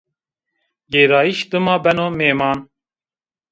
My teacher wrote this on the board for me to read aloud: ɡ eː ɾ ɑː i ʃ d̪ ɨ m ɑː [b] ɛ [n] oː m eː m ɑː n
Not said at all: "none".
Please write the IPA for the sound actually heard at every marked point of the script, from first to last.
b, n

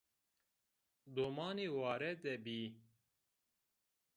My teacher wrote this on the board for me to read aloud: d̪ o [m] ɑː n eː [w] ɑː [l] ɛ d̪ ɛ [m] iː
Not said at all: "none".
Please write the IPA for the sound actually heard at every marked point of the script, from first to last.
m, w, ɾ, b

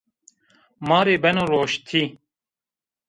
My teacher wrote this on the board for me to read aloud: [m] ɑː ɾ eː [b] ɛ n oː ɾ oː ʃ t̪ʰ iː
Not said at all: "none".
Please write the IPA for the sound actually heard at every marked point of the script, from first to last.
m, b

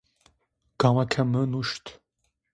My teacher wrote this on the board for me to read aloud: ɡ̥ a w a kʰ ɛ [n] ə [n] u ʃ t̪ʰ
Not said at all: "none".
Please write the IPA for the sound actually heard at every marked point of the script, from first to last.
m, n

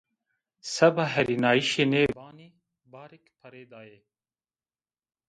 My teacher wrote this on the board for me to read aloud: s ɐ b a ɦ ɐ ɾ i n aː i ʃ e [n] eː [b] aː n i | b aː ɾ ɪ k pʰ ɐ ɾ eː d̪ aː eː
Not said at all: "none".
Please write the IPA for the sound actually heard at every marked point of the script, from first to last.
n, b

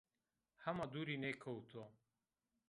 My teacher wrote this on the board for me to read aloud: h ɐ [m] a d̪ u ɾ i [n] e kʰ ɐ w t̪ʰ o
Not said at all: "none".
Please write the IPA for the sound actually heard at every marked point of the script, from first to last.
m, n

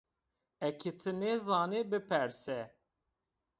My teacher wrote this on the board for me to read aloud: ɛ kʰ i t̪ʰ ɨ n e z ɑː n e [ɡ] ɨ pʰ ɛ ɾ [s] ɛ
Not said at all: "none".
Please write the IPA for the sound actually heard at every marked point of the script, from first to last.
b, s

